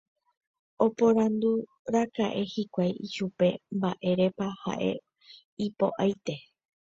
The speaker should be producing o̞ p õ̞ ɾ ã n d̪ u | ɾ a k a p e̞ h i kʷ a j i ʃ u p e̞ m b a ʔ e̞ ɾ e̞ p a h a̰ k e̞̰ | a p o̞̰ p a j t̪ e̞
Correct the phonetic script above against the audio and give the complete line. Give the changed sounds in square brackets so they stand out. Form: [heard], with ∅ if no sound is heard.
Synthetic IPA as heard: o̞ p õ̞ ɾ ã n d̪ u | ɾ a k a [ʔ] e̞ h i kʷ a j i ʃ u p e̞ m b a ʔ e̞ ɾ e̞ p a h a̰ [ʔ] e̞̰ | [i] p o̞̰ [ʔ] a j t̪ e̞

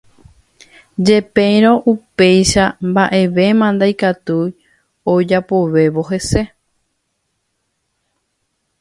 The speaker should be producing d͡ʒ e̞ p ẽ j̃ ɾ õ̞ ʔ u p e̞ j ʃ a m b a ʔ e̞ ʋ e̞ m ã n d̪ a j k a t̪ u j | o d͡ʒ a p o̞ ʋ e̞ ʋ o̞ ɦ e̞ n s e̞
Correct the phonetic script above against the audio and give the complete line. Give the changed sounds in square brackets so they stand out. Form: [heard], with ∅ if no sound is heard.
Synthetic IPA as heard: d͡ʒ e̞ p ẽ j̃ ɾ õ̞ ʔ u p e̞ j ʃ a m b a ʔ e̞ ʋ e̞ m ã n d̪ a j k a t̪ u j | o d͡ʒ a p o̞ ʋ e̞ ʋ o̞ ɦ e̞ [∅] s e̞

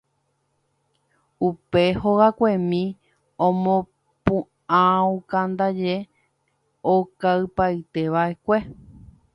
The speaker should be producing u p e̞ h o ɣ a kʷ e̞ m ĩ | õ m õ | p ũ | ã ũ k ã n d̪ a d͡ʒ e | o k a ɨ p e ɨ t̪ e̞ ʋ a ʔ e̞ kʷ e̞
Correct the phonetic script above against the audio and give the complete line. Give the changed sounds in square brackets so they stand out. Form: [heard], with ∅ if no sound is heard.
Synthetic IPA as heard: u p e̞ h o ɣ a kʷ e̞ m ĩ | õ m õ | p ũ | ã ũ k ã n d̪ a d͡ʒ e | o k a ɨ p [a] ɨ t̪ e̞ ʋ a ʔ e̞ kʷ e̞

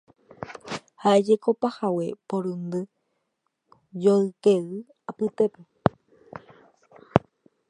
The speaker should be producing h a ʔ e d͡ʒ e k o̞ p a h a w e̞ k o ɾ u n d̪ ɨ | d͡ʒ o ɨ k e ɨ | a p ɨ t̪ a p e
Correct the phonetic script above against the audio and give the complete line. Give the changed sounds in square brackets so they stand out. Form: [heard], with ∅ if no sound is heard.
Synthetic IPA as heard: h a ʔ e d͡ʒ e k o̞ p a h a w e̞ [p] o ɾ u n d̪ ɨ | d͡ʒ o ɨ k e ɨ | a p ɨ t̪ [e] p e

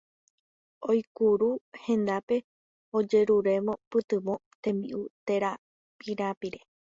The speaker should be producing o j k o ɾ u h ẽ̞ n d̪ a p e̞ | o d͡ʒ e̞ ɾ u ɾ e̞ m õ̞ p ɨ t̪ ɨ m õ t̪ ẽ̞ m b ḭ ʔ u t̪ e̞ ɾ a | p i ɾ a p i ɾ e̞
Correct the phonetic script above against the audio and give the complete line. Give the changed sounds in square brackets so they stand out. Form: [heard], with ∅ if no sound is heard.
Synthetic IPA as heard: o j k [u] ɾ u h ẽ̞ n d̪ a p e̞ | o d͡ʒ e̞ ɾ u ɾ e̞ m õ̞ p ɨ t̪ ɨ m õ t̪ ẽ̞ m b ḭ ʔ u t̪ e̞ ɾ a | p i ɾ a p i ɾ e̞

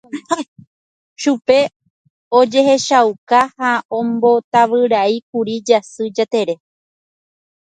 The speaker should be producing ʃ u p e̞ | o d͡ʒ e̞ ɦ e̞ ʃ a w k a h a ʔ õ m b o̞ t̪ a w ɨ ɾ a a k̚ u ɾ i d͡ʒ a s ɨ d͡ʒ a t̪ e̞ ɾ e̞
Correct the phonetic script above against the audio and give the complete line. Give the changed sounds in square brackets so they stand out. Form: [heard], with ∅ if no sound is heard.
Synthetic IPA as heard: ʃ u p e̞ | o d͡ʒ e̞ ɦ e̞ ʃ a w k a h a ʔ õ m b o̞ t̪ a [ʋ] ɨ ɾ a [i] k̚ u ɾ i d͡ʒ a s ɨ d͡ʒ a t̪ e̞ ɾ e̞

